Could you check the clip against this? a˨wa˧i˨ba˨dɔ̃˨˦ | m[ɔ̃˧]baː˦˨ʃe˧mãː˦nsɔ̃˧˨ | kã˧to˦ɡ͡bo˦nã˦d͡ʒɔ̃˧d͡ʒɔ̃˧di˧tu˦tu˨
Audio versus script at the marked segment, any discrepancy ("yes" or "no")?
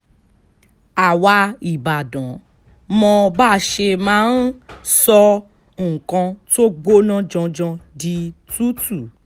no